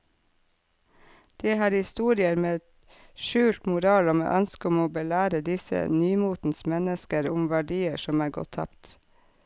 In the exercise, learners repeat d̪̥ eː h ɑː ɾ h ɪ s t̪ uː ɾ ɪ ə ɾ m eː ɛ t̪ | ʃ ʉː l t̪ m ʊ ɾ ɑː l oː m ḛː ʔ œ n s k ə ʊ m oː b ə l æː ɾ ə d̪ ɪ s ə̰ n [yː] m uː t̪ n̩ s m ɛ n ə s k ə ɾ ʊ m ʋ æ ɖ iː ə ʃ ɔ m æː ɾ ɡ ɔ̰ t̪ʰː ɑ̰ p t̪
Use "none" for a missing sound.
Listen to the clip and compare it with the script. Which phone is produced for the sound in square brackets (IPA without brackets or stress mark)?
yː